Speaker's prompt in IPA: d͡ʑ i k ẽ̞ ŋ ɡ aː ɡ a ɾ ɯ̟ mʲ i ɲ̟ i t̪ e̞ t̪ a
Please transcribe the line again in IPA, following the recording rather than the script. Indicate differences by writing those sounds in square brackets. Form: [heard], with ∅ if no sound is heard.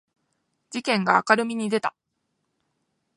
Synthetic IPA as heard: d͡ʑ i k ẽ̞ ŋ ɡ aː [k] a ɾ ɯ̟ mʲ i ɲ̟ i [d̪] e̞ t̪ a